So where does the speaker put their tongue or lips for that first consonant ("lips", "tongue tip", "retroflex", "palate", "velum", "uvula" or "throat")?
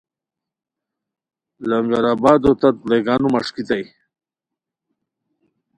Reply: tongue tip